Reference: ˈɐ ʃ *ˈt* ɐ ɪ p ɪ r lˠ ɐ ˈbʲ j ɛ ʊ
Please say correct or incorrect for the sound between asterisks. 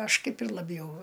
incorrect